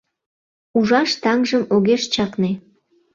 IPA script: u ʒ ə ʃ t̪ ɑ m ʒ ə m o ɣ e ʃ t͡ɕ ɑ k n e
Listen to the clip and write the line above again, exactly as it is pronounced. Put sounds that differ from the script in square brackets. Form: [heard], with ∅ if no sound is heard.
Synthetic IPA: u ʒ [ɑ] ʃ t̪ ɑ [ŋ] ʒ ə m o ɣ e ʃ t͡ɕ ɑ k n e

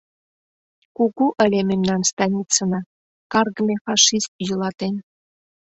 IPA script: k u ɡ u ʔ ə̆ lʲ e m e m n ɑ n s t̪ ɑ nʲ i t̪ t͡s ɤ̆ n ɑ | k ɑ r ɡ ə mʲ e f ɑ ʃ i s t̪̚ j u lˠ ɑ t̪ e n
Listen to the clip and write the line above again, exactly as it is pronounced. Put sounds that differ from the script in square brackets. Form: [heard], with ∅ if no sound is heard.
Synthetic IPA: k u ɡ u ʔ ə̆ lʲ e m e m n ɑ n s t̪ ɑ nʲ i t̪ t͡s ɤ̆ n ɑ | k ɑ r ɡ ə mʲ e f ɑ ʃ i s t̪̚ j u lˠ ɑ t̪ e n

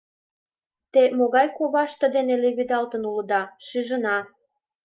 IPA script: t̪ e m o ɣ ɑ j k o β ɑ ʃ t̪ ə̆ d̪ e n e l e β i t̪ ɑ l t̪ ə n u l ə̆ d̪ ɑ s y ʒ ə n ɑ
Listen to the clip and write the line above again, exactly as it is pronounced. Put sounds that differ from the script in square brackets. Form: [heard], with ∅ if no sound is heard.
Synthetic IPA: t̪ e m o ɣ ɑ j k o β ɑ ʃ t̪ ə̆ d̪ e n e l e β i [d̪] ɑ l t̪ ə n u l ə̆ d̪ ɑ [ʃ] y ʒ ə n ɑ

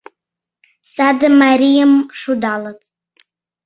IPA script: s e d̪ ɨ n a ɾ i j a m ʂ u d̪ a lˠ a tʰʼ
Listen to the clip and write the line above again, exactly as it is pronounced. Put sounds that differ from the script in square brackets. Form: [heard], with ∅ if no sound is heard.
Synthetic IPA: s [a] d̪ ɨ [m] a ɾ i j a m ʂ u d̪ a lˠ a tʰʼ

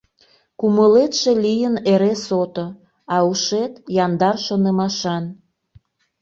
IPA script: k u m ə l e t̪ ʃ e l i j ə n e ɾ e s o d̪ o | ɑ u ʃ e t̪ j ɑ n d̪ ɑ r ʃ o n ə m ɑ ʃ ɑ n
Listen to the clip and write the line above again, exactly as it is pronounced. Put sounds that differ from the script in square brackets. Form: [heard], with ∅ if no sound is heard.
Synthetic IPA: k u m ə l e t̪ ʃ e l i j ə n e ɾ e s o [t̪] o | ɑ u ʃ e t̪ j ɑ n d̪ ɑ r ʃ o n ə m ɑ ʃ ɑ n

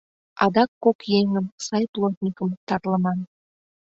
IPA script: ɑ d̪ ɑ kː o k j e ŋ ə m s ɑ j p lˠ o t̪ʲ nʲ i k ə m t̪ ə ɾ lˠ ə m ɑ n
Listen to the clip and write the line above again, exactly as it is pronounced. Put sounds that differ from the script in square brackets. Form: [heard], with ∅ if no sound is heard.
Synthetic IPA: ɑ d̪ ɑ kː o k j e ŋ ə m s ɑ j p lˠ o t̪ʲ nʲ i k ə m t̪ [ɑ] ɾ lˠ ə m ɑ n

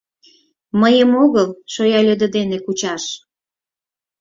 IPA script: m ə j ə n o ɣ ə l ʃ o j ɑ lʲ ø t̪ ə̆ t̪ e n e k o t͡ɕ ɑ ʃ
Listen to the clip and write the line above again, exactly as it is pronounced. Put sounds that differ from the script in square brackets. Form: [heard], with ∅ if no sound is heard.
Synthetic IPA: m ə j ə [m] o ɣ ə l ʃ o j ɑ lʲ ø [d̪] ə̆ [d̪] e n e k [u] t͡ɕ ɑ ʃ

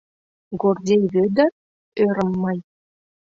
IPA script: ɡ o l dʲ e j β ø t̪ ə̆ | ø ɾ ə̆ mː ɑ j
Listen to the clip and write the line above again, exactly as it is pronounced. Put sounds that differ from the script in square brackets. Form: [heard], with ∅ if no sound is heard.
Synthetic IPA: ɡ o [r] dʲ e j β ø [d̪] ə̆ | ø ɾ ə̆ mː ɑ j

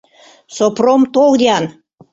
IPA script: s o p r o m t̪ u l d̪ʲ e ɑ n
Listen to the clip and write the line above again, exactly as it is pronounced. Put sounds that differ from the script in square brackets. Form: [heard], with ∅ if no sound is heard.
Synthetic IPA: s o p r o m t̪ [o] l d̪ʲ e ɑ n

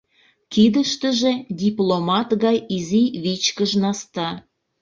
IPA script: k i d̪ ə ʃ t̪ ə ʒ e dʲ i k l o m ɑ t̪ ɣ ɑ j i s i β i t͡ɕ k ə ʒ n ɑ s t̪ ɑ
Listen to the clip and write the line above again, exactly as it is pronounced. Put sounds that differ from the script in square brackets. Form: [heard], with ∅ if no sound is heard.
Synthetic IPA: k i d̪ ə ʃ t̪ ə ʒ e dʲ i [p] l o m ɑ t̪ ɣ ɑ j i [z] i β i t͡ɕ k ə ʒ n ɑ s t̪ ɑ

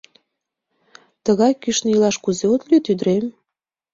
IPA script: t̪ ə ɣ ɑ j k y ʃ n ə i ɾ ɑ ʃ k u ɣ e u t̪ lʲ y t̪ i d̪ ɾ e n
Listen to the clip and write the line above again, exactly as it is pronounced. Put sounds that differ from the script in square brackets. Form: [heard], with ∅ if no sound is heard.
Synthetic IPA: t̪ ə ɣ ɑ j k y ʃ n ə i [l] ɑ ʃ k u [z] e [o] t̪ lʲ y t̪ [y] d̪ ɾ e [m]

